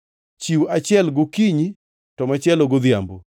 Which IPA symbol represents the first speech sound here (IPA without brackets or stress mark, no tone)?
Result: t͡ʃ